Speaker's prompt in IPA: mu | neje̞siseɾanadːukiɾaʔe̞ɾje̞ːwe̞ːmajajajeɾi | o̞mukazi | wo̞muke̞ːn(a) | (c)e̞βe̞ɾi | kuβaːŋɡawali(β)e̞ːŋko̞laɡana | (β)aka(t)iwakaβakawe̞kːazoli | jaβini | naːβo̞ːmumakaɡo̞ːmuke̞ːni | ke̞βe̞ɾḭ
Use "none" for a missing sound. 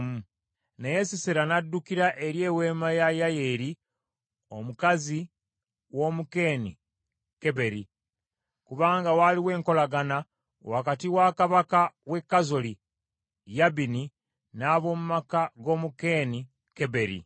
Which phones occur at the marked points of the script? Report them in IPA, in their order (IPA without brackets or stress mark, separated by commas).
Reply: i, k, w, w, t